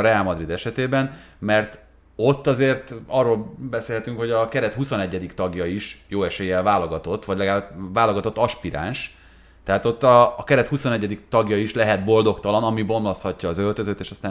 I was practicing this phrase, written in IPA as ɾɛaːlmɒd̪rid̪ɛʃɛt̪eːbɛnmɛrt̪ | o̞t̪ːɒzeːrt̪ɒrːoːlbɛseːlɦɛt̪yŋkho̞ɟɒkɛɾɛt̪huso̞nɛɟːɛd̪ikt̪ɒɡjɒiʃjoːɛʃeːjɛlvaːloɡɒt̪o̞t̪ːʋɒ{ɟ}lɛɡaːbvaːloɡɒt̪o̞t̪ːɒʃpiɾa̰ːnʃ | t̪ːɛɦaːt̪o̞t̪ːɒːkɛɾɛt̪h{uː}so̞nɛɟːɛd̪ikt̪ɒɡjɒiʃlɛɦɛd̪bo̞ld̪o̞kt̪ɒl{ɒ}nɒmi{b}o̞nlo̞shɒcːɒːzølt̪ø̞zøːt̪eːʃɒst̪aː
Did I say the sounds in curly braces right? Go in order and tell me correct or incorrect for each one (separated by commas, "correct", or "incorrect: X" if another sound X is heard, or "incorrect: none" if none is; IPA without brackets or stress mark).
correct, incorrect: u, correct, correct